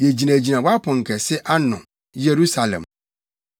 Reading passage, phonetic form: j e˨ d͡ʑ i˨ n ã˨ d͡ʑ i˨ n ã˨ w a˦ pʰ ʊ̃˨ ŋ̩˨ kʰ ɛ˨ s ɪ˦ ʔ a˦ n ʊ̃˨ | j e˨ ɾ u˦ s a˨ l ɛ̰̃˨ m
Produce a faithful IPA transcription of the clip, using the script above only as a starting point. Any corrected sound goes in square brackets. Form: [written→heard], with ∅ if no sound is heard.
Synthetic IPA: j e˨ d͡ʑ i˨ n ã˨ d͡ʑ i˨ n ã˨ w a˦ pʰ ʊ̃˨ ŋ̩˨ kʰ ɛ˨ s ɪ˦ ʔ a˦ n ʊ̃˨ | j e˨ ɾ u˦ s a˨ l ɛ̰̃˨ m